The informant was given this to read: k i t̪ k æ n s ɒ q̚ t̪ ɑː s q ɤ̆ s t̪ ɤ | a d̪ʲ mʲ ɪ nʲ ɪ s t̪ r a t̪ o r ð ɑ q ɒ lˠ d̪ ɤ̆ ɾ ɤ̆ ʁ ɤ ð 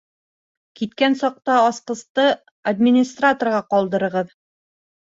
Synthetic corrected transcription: k i t̪ k æ n s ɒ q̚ t̪ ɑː s q ɤ̆ s t̪ ɤ | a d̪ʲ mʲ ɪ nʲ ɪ s t̪ r a t̪ o r ʁ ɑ q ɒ lˠ d̪ ɤ̆ ɾ ɤ̆ ʁ ɤ ð

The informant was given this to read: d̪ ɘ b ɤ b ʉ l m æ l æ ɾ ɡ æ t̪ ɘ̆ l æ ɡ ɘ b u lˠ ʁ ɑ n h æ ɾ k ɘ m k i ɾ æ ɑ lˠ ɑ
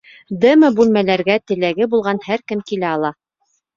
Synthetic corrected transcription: d̪ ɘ m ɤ b ʉ l m æ l æ ɾ ɡ æ t̪ ɘ̆ l æ ɡ ɘ b u lˠ ʁ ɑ n h æ ɾ k ɘ m k i l æ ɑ lˠ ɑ

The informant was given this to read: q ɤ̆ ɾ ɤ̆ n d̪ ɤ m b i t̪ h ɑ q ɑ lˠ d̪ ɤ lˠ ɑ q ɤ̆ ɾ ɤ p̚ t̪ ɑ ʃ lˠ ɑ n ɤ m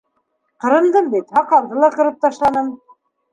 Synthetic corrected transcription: q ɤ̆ ɾ ɤ̆ n d̪ ɤ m b i t̪ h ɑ q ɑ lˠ d̪ ɤ lˠ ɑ q ɤ̆ ɾ ɤ p̚ t̪ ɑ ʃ lˠ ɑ n ɤ m

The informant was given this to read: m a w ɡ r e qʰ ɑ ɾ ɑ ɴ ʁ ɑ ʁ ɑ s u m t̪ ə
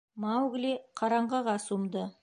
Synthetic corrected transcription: m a w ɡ l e qʰ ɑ ɾ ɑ ɴ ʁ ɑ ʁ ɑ s u m d̪ ə

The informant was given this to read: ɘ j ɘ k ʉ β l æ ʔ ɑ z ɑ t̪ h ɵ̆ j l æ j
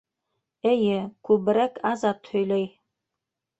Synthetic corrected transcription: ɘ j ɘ k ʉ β ɾ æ k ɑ z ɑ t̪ h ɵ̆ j l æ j

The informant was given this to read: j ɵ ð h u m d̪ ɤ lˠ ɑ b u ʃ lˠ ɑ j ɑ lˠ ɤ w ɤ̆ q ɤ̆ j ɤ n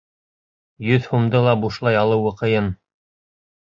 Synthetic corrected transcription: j ɵ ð h u m d̪ ɤ lˠ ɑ b u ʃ lˠ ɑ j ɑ lˠ ɤ w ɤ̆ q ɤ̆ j ɤ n

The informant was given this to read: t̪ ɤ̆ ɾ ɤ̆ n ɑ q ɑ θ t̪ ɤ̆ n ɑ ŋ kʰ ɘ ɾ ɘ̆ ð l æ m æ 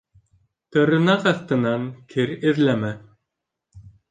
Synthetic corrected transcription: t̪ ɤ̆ ɾ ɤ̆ n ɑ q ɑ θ t̪ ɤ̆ n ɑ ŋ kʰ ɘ ɾ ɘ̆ ð l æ m æ

